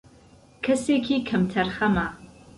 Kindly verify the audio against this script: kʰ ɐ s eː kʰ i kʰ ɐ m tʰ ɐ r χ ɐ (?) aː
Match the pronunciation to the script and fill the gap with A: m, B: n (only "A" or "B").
A